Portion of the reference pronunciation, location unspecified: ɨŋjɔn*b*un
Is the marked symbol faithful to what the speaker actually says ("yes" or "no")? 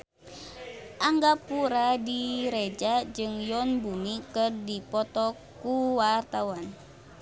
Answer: yes